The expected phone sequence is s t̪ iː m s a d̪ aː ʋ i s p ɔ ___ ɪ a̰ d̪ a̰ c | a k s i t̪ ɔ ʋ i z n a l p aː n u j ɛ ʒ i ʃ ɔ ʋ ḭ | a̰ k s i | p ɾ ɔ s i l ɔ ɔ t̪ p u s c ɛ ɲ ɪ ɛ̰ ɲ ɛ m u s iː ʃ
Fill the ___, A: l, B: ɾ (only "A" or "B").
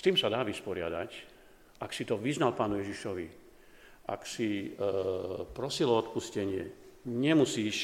B